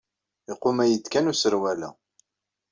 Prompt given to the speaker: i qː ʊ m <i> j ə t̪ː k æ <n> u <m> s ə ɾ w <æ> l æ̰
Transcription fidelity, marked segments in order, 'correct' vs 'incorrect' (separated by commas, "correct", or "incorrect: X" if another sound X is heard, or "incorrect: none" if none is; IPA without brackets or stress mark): incorrect: æ, correct, incorrect: none, correct